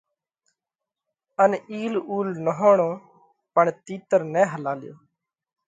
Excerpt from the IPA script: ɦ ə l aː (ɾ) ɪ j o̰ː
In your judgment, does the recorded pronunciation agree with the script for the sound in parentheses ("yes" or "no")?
no